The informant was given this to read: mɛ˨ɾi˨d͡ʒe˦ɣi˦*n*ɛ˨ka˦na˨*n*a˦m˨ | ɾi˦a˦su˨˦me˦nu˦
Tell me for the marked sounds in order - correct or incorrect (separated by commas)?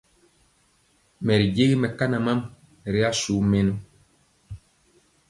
incorrect, incorrect